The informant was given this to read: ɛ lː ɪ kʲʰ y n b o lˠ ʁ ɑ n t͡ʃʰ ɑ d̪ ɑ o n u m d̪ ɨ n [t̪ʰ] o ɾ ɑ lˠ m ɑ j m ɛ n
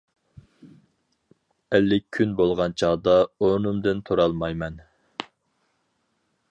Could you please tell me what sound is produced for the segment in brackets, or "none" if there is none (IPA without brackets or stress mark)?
t̪ʰ